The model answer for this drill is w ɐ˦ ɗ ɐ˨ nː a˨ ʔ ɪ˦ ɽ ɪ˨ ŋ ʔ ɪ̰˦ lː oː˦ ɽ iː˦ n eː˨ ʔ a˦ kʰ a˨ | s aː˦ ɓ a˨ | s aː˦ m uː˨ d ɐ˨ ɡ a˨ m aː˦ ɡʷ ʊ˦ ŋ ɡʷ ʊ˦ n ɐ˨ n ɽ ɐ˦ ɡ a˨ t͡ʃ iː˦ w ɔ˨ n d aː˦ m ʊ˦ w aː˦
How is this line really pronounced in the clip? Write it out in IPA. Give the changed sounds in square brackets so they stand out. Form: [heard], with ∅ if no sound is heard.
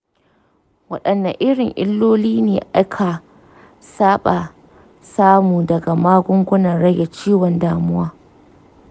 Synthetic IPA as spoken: w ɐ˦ ɗ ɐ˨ nː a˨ ʔ ɪ˦ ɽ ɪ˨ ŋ ʔ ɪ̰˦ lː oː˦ [l] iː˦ n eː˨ ʔ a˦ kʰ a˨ | s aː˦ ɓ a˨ | s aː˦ m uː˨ d ɐ˨ ɡ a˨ m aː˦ ɡʷ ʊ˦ ŋ ɡʷ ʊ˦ n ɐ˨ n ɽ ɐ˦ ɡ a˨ t͡ʃ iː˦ w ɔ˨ n d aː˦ m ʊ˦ w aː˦